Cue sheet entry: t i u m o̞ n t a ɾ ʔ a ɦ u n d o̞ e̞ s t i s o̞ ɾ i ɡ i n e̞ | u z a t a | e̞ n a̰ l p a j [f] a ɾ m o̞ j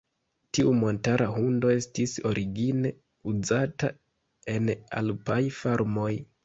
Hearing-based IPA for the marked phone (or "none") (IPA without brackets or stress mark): f